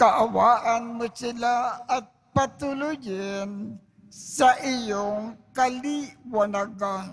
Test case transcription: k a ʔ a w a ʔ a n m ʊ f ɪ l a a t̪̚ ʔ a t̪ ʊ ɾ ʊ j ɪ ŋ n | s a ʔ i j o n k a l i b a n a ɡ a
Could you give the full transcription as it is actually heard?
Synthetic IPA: k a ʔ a w a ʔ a n m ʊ s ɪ l a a t̪̚ p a t̪ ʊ l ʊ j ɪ n | s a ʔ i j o ŋ k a l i w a n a ɡ a